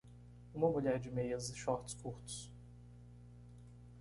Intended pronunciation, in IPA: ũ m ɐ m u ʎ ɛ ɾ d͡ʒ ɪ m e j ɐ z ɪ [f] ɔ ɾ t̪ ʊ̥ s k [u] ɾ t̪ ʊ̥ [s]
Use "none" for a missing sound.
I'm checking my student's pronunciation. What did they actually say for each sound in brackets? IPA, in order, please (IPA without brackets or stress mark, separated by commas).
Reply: ʃ, u, s